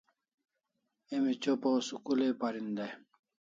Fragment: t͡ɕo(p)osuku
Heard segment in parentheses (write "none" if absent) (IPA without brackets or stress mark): p